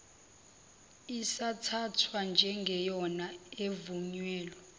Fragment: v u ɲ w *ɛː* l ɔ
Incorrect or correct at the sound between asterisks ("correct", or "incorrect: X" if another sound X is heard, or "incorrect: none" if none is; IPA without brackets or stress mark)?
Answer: correct